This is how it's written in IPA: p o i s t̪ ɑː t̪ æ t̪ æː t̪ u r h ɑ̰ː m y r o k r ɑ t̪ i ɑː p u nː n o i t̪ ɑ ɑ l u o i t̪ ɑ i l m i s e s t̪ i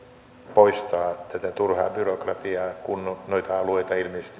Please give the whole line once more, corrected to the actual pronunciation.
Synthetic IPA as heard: p o i s t̪ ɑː t̪ æ t̪ æ t̪ u r h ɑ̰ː b y r o k r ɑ t̪ i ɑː k u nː n o i t̪ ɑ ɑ l u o i t̪ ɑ i l m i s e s t̪ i

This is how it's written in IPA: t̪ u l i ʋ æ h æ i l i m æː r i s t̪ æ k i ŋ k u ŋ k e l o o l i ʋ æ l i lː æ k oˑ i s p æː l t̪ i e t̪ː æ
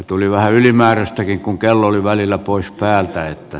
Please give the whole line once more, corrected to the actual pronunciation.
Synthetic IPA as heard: t̪ u l i ʋ æ h æ y l i m æː r æ s t̪ æ k i ŋ k u ŋ k e lː o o l i ʋ æ l i lː æ p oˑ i s p æː l t̪ æ e t̪ː æ

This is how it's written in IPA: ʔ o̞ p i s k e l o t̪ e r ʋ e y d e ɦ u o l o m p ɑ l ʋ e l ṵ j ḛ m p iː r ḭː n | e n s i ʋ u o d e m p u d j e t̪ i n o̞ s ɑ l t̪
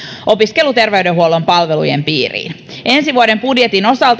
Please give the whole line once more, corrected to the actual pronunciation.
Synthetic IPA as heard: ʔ o̞ p i s k e l u t̪ e r ʋ e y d e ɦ u o l o m p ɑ l ʋ e l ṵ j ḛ m p iː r ḭː n | e n s i ʋ u o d e m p u d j e t̪ i n o̞ s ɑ l t̪

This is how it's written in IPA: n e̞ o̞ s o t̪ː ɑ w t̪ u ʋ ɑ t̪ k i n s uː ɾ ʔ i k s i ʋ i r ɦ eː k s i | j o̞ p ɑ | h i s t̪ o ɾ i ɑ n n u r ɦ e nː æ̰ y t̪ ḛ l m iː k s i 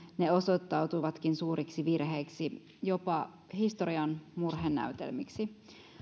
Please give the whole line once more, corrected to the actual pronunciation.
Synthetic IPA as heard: n e̞ o̞ s o t̪ː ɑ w t̪ u ʋ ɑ t̪ k i n s uː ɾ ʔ i k s i ʋ i r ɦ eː k s i | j o̞ p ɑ | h i s t̪ o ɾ i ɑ n m u r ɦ e nː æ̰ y t̪ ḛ l m i k s i

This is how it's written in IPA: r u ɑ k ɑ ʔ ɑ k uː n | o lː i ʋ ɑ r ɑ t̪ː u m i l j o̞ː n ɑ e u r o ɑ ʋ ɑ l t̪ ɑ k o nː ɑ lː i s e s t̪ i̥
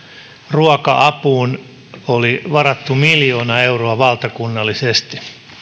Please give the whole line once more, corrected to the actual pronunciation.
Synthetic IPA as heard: r u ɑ k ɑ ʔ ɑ p uː n | o l i ʋ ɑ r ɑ t̪ː u m i l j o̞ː n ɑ e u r o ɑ ʋ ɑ l t̪ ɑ k u nː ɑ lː i s e s t̪ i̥

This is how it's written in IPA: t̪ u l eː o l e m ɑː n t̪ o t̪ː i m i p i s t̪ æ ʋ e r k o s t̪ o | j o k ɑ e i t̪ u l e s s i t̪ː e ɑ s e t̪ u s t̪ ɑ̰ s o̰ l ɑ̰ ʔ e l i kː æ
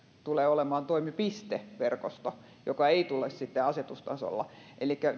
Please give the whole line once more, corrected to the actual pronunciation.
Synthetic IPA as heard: t̪ u l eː o l e m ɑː n t̪ o i m i p i s t̪ e ʋ e r k o s t̪ o | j o k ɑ e i t̪ u l e s s i t̪ː e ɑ s e t̪ u s t̪ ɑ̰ s o̰ lː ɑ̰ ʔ e l i kː æ

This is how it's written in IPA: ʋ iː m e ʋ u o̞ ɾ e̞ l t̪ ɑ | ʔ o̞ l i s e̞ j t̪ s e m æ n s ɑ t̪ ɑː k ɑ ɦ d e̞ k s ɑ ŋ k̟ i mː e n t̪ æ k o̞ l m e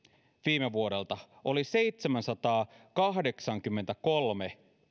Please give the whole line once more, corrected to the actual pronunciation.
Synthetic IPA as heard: ʋ iː m e ʋ u o̞ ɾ e̞ l t̪ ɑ | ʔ o̞ l i s e̞ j t̪ s e m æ n s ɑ t̪ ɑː k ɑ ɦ d e̞ k s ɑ ŋ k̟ y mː e n t̪ æ k o̞ l m e

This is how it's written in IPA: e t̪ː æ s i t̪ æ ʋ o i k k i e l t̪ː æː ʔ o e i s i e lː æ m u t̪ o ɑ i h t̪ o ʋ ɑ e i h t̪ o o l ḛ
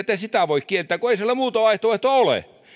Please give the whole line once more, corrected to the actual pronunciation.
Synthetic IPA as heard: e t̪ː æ s i t̪ æ ʋ o i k k i e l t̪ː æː k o e i s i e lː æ m uː t̪ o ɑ i h t̪ o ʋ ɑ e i h t̪ o o l ḛ

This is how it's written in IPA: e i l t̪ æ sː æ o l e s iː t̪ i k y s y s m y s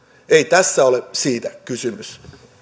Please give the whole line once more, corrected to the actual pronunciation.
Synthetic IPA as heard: e i t̪ æ sː æ o l e s iː t̪ æ k y s y m y s

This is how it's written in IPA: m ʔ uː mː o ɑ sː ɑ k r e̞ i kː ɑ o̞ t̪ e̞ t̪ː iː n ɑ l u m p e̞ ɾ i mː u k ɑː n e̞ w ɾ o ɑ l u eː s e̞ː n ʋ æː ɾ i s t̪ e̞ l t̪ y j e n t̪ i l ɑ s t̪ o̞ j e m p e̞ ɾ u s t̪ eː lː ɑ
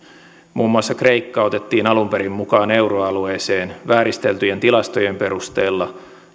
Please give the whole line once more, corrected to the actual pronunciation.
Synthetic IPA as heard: m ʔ uː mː u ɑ sː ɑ k r e̞ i kː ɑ o̞ t̪ e̞ t̪ː iː n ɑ l u m p e̞ ɾ i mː u k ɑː n e̞ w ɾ o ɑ l u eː s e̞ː n ʋ æː ɾ i s t̪ e̞ l t̪ y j e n t̪ i l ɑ s t̪ o̞ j e m p e̞ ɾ u s t̪ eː lː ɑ

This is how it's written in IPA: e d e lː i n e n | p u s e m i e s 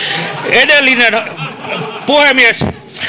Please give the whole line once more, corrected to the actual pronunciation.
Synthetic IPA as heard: e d e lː i n e n | p u h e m i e s

